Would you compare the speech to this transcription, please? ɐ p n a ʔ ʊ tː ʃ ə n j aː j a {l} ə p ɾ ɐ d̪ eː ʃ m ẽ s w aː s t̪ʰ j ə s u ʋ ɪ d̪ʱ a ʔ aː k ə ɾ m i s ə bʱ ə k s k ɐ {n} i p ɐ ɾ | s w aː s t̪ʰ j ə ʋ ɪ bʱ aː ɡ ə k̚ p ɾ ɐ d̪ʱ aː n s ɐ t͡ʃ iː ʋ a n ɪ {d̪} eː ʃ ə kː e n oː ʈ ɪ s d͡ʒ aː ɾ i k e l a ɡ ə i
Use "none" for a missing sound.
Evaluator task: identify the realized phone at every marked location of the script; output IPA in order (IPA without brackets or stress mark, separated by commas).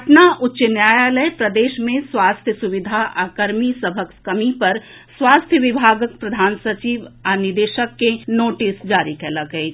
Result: l, m, d̪